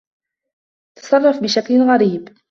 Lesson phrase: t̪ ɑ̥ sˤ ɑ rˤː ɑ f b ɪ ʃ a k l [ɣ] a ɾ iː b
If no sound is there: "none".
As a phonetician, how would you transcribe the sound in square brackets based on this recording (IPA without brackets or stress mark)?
ɣ